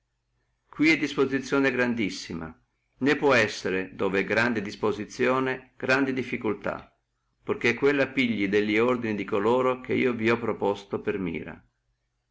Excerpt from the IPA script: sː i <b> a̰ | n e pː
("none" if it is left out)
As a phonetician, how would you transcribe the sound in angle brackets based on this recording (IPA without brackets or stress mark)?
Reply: m